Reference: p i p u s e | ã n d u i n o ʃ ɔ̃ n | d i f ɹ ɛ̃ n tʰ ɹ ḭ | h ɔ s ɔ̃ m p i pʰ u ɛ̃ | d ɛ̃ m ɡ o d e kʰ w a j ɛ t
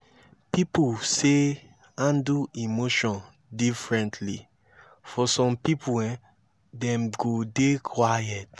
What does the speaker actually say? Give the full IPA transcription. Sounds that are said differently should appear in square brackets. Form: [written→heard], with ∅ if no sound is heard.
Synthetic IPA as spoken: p i p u s e | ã n d u i [n→m] o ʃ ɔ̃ n | d i f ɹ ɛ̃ n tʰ [ɹ→l] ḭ | [h→f] ɔ s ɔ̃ m p i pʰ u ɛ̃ | d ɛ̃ m ɡ o d e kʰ w a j ɛ t